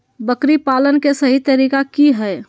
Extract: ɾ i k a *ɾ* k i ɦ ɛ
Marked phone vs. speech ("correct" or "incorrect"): incorrect